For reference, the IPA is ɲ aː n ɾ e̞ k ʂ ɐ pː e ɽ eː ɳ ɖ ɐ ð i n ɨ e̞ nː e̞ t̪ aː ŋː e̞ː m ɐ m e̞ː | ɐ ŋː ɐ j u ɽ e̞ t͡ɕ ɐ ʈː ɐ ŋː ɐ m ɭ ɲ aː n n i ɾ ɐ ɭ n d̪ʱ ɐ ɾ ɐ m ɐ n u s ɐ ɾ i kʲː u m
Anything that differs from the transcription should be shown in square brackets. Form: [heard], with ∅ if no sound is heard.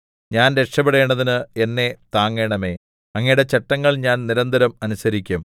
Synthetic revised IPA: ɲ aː n ɾ e̞ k ʂ ɐ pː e ɽ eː ɳ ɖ ɐ ð i n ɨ e̞ nː e̞ t̪ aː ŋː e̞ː [ɳ] ɐ m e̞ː | ɐ ŋː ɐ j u ɽ e̞ t͡ɕ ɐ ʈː ɐ ŋː ɐ [∅] ɭ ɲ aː n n i ɾ ɐ [∅] n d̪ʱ ɐ ɾ ɐ m ɐ n u s ɐ ɾ i kʲː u m